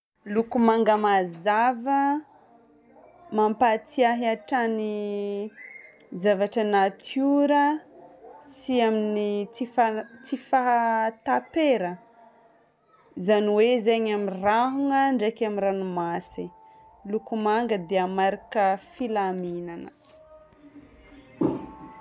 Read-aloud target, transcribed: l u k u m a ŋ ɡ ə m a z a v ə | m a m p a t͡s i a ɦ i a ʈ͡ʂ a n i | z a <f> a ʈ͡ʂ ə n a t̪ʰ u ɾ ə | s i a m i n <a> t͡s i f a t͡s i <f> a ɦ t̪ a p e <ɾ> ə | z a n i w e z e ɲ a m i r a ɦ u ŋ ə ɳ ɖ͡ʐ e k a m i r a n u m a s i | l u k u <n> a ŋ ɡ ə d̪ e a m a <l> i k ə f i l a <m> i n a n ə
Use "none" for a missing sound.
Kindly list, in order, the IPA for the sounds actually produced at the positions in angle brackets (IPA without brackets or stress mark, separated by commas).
v, i, f, ɾ, m, ɾ, m